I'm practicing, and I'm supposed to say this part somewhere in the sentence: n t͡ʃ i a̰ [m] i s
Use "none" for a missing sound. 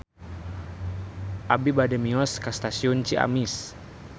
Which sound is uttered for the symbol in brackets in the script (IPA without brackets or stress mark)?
m